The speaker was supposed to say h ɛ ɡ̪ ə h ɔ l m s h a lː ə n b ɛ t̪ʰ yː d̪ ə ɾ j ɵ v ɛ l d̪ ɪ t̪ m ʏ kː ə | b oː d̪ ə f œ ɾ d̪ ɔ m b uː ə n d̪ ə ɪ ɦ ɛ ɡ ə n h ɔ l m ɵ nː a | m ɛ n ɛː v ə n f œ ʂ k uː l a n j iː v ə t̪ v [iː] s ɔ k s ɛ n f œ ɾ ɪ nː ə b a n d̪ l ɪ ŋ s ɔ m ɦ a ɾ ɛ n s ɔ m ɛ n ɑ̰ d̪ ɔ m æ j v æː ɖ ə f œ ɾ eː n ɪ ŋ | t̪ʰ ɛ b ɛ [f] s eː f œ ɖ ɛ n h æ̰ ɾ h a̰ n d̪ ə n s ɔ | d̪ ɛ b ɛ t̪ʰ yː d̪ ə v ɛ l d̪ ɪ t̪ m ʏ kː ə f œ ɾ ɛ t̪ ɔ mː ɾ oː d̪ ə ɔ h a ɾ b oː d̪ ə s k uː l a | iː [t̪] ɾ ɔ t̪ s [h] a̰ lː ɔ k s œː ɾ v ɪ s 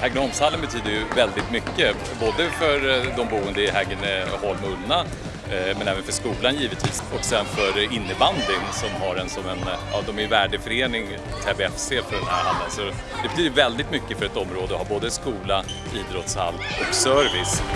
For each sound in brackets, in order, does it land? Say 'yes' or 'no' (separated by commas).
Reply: yes, yes, no, yes